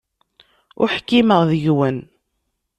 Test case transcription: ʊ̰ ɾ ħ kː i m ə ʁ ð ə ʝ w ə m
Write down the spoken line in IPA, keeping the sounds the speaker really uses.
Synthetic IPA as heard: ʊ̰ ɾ ħ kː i m ə ʁ ð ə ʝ w ə n